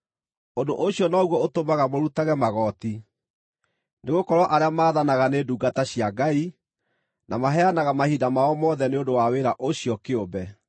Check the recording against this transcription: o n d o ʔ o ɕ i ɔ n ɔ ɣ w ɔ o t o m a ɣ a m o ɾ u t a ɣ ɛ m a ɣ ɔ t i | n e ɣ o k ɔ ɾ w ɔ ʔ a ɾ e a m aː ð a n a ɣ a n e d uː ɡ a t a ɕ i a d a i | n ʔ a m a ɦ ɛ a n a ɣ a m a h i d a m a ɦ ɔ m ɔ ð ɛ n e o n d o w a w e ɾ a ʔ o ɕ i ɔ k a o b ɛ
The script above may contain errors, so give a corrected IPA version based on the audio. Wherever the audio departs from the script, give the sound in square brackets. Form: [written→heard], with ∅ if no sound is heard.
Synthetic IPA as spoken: o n d o ʔ o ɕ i ɔ n ɔ ɣ w ɔ o t o m a ɣ a m o ɾ u t a ɣ ɛ m a ɣ ɔ t i | n e ɣ o k ɔ ɾ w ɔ ʔ a ɾ e a m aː ð a n a ɣ a n e d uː ɡ a t a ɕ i a [d→ɡ] a i | n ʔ a m a ɦ ɛ a n a ɣ a m a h i d a m a [ɦ→∅] ɔ m ɔ ð ɛ n e o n d o w a w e ɾ a ʔ o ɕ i ɔ k [a→e] o b ɛ